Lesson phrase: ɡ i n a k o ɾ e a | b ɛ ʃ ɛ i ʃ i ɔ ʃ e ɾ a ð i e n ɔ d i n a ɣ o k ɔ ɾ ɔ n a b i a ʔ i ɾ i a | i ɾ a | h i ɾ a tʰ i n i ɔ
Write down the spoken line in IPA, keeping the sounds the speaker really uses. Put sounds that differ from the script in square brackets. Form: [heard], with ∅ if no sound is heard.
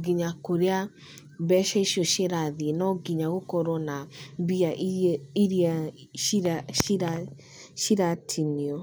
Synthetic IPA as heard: ɡ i [ɲ] a k o ɾ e a | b ɛ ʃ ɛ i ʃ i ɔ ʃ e ɾ a ð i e n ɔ [ɡ] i [ɲ] a ɣ o k ɔ ɾ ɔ n a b i a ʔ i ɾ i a | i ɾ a | [ʃ] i ɾ a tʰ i n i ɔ